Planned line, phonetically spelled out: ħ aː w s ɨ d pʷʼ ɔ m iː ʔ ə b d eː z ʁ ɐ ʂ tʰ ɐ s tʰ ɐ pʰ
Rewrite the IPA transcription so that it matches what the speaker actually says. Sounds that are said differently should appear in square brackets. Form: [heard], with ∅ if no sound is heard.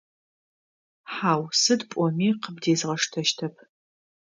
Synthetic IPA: ħ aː w s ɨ d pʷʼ ɔ m iː [q] ə b d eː z ʁ ɐ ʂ tʰ ɐ [ʃ] tʰ ɐ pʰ